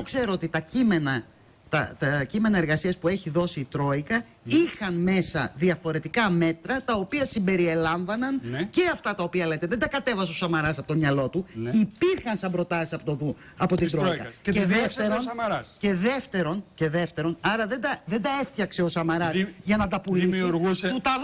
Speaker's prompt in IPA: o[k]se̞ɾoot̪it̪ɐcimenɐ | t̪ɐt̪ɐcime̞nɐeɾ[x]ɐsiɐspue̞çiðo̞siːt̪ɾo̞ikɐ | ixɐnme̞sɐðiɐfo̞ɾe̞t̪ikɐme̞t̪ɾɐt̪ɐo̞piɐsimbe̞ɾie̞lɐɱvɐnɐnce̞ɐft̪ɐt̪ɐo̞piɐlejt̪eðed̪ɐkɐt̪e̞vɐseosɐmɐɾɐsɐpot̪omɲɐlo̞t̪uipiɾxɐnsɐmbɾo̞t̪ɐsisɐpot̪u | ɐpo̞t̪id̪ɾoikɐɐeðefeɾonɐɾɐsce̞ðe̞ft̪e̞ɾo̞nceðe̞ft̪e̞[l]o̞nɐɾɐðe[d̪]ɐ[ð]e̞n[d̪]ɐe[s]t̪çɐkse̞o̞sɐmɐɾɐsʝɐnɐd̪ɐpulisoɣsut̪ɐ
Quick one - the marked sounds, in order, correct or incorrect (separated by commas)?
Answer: correct, incorrect, incorrect, correct, correct, correct, incorrect